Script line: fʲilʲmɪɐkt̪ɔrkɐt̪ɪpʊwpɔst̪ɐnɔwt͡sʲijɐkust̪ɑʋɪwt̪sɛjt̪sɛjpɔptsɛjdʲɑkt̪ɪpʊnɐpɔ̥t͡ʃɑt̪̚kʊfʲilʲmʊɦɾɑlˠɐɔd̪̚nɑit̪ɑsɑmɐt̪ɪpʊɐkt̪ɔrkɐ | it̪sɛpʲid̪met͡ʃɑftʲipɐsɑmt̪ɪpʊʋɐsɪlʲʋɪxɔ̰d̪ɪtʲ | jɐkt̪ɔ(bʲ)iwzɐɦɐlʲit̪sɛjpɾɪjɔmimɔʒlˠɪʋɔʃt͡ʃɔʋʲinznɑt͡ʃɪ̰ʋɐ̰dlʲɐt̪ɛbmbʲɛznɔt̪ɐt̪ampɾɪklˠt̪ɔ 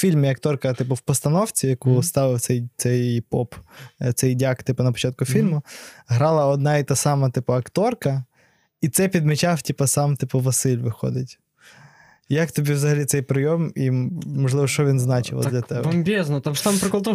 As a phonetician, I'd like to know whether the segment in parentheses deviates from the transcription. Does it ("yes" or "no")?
no